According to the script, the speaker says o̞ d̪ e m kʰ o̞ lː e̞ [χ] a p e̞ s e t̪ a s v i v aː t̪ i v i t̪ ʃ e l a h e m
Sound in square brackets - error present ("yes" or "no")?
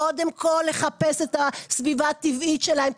no